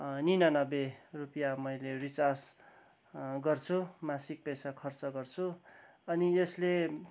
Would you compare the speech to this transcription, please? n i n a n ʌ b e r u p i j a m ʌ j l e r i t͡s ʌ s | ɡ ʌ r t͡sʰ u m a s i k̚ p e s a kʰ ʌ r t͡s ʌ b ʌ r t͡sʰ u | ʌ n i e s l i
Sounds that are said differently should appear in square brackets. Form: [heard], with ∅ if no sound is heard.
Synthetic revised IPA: n i n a n ʌ b e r u p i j a m ʌ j l e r i t͡s [a] s | ɡ ʌ r t͡sʰ u m a s i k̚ p e s a kʰ ʌ r t͡s ʌ [ɡ] ʌ r t͡sʰ u | ʌ n i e s l [e]

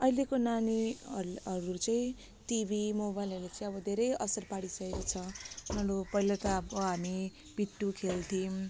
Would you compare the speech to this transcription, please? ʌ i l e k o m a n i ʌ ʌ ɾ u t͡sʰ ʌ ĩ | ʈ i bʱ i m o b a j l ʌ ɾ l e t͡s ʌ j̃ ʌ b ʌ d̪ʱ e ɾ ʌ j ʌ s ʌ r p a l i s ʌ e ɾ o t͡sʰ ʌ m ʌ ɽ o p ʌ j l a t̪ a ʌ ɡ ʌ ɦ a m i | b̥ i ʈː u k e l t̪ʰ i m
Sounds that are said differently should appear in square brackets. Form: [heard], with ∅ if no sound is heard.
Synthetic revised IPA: ʌ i l e k o [n] a n i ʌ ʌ ɾ u [t͡s] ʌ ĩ | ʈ i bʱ i m o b a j l ʌ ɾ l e t͡s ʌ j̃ ʌ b ʌ d̪ʱ e ɾ ʌ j ʌ s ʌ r p a [ɽ] i s ʌ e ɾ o t͡sʰ ʌ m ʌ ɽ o p ʌ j l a t̪ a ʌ [b] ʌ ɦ a m i | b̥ i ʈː u [kʰ] e l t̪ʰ i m

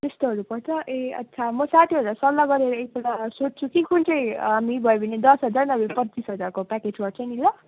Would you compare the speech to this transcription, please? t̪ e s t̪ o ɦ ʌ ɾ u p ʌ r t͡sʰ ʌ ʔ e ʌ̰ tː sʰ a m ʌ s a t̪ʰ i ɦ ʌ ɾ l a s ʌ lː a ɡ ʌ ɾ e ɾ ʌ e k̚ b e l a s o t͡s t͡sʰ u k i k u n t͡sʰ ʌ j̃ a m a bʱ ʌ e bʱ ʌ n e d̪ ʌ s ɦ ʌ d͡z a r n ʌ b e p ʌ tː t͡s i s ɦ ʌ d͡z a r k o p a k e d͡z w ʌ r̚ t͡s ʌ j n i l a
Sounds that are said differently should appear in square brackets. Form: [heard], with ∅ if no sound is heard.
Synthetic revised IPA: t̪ e s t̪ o ɦ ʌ ɾ u p ʌ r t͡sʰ ʌ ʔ e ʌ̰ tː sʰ a m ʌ s a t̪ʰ i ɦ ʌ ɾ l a s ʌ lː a ɡ ʌ ɾ e ɾ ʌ e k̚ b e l a s o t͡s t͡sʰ u k i k u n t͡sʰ ʌ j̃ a m [i] bʱ ʌ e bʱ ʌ n e d̪ ʌ s ɦ ʌ d͡z a r n ʌ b e p ʌ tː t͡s i s ɦ ʌ d͡z a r k o p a k e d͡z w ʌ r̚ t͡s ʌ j n i l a

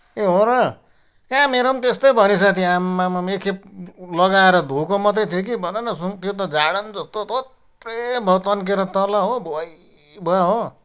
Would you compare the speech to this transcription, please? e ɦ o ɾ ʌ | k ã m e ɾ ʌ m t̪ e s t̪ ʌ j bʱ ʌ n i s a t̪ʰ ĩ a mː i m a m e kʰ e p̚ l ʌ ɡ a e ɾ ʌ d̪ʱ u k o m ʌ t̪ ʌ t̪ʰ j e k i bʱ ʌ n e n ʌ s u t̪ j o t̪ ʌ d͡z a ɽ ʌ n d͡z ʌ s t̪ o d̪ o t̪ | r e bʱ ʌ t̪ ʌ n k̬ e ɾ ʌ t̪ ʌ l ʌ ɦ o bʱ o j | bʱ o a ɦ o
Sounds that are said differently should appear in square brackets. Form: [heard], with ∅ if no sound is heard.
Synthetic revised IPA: e ɦ o ɾ ʌ | k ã m e ɾ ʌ m t̪ e s t̪ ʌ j bʱ ʌ n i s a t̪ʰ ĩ a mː [a] m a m e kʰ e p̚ l ʌ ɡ a e ɾ ʌ d̪ʱ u k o m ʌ t̪ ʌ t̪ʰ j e k i bʱ ʌ n e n ʌ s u t̪ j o t̪ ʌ d͡z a ɽ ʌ n d͡z ʌ s t̪ o [t̪] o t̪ | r e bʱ ʌ t̪ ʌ n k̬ e ɾ ʌ t̪ ʌ l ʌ ɦ o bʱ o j | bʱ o a ɦ o

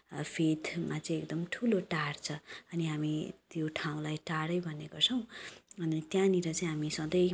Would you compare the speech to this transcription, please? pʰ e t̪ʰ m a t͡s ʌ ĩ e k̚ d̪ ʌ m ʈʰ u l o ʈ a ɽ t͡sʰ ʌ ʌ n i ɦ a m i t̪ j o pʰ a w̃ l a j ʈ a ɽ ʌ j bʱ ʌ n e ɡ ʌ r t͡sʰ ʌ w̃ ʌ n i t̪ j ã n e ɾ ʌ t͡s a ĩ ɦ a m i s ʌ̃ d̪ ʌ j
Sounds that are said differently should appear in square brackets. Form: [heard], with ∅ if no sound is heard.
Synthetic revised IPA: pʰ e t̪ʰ m a t͡s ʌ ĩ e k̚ d̪ ʌ m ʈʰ u l o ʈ a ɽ t͡sʰ ʌ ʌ n i ɦ a m i t̪ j o [ʈʰ] a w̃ l a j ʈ a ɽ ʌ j bʱ ʌ n e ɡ ʌ r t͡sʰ ʌ w̃ ʌ n i t̪ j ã n [i] ɾ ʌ t͡s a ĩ ɦ a m i s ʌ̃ d̪ ʌ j

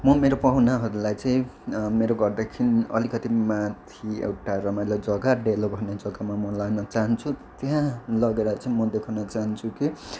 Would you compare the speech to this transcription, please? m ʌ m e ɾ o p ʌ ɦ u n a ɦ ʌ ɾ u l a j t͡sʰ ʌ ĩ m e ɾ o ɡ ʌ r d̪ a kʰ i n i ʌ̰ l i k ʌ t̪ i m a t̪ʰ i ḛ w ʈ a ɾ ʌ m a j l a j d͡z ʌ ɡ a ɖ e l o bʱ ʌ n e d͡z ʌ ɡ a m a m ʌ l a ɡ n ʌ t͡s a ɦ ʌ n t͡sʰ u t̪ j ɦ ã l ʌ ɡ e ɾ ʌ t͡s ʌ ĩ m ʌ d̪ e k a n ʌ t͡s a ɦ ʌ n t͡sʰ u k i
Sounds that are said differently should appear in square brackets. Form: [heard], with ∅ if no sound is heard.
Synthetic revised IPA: m ʌ m e ɾ o p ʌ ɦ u n a ɦ ʌ ɾ u l a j [t͡s] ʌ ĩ m e ɾ o ɡ ʌ r d̪ a kʰ i n i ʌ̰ l i k ʌ t̪ i m a t̪ʰ i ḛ w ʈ a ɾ ʌ m a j l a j d͡z ʌ ɡ a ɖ e l o bʱ ʌ n e d͡z ʌ ɡ a m a m ʌ l a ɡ n ʌ t͡s a ɦ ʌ n t͡sʰ u t̪ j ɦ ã l ʌ ɡ e ɾ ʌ t͡s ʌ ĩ m ʌ d̪ e [kʰ] a n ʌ t͡s a ɦ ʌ n t͡sʰ u k i

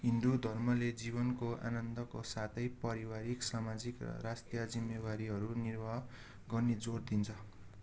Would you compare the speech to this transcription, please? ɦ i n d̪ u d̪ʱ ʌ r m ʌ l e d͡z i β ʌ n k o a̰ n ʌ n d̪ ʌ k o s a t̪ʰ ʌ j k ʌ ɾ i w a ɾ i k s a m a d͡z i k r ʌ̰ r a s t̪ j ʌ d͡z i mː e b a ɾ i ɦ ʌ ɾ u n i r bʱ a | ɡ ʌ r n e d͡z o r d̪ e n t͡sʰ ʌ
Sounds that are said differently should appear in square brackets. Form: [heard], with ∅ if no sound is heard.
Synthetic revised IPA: ɦ i n d̪ u d̪ʱ ʌ r m ʌ l e d͡z i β ʌ n k o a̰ n ʌ n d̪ ʌ k o s a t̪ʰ ʌ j [p] ʌ ɾ i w a ɾ i k s a m a d͡z i k r ʌ̰ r a s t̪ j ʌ d͡z i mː e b a ɾ i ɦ ʌ ɾ u n i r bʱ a | ɡ ʌ r n e d͡z o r d̪ [i] n t͡sʰ ʌ

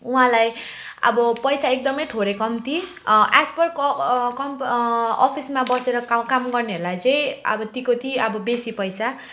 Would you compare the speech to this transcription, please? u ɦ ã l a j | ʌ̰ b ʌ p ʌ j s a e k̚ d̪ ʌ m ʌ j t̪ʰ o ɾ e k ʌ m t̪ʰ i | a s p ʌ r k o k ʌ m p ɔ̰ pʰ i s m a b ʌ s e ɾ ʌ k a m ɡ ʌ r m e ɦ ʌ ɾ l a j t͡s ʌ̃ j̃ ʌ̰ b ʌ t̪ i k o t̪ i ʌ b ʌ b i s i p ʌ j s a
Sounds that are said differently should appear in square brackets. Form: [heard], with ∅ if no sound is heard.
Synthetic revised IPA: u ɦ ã l a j | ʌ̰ b ʌ p ʌ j s a e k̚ d̪ ʌ m ʌ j t̪ʰ o ɾ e k ʌ m [t̪] i | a s p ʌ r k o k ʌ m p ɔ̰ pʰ i s m a b ʌ s e ɾ ʌ k a m ɡ ʌ r [n] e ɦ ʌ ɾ l a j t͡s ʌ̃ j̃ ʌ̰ b ʌ t̪ i k o t̪ i ʌ b ʌ b [e] s i p ʌ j s a

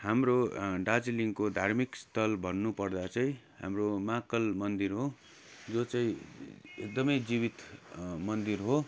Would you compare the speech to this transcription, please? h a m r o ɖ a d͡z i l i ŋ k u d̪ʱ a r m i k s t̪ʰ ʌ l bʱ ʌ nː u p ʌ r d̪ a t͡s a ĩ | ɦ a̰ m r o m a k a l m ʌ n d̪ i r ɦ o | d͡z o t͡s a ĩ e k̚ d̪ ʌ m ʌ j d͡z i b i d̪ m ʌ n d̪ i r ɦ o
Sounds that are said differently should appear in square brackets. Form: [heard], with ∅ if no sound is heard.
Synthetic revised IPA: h a m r o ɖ a d͡z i l i ŋ k [o] d̪ʱ a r m i k s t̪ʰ ʌ l bʱ ʌ nː u p ʌ r d̪ a t͡s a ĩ | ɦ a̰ m r o m a k [ʌ] l m ʌ n d̪ i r ɦ o | d͡z o t͡s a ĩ e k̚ d̪ ʌ m ʌ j d͡z i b i [t̪] m ʌ n d̪ i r ɦ o

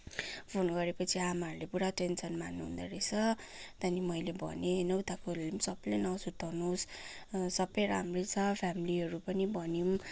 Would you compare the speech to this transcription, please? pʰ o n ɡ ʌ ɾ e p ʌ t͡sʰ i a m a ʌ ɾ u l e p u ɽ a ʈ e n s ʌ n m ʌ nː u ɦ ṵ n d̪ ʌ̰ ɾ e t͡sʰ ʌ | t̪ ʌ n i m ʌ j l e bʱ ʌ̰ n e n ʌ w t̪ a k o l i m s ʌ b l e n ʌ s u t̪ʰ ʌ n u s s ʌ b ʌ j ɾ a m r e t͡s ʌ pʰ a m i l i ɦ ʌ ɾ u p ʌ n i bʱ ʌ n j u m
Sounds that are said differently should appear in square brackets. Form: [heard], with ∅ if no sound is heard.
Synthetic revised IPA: pʰ o n ɡ ʌ ɾ e p ʌ t͡sʰ i a m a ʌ ɾ u l e p u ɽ a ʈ e n s ʌ n m [a] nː u ɦ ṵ n d̪ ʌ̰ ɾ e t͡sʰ ʌ | t̪ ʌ n i m ʌ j l e bʱ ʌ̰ n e n ʌ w t̪ a k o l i m s ʌ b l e n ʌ s u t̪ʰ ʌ n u s s ʌ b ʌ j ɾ a m r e [t͡sʰ] ʌ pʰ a m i l i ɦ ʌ ɾ u p ʌ n i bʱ ʌ n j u m

